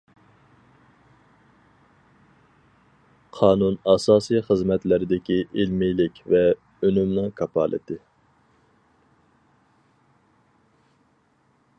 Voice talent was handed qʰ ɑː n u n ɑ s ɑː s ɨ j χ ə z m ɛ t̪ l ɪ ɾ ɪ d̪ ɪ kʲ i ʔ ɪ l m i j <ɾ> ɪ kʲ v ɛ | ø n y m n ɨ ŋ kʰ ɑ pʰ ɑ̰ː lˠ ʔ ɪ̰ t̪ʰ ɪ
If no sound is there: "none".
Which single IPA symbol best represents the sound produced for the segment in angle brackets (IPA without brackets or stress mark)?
l